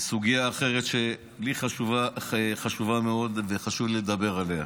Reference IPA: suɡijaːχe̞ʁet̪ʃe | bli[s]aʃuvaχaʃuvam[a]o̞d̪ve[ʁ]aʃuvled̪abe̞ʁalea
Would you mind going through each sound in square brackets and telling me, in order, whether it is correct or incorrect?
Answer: incorrect, incorrect, incorrect

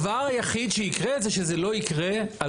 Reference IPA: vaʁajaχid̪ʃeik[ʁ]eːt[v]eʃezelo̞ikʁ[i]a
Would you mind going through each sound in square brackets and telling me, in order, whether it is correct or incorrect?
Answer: correct, incorrect, incorrect

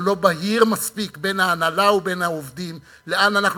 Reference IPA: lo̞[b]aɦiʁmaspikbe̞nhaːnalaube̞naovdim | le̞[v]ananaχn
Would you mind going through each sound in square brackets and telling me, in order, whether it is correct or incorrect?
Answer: correct, incorrect

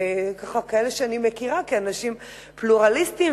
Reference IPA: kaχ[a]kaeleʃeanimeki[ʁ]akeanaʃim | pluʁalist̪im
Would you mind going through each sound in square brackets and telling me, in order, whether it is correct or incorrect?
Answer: correct, correct

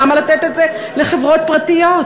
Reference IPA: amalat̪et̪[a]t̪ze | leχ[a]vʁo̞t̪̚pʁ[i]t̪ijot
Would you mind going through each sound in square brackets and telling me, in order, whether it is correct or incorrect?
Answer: incorrect, incorrect, incorrect

